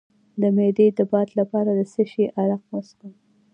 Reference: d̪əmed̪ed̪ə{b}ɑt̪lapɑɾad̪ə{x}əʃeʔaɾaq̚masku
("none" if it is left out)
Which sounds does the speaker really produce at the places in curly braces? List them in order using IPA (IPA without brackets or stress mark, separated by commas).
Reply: b, s